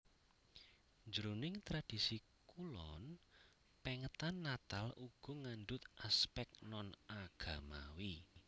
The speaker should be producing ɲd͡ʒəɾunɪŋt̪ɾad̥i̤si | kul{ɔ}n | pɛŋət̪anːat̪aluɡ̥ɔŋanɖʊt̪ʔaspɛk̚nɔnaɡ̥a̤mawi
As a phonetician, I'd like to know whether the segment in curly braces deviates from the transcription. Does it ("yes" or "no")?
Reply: no